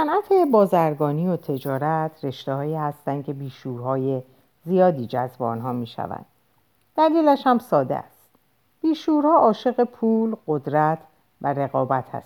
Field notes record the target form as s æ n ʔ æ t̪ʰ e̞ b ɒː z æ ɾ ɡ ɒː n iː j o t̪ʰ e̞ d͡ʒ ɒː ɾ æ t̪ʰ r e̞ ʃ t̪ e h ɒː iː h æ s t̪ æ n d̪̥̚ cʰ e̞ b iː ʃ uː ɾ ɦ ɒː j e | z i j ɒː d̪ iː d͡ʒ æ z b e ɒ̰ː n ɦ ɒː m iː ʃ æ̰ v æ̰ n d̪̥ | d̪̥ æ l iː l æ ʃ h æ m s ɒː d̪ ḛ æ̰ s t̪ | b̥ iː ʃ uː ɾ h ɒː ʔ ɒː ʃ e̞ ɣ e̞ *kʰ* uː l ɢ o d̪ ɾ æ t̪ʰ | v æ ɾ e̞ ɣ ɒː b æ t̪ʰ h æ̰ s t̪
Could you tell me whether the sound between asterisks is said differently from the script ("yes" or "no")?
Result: yes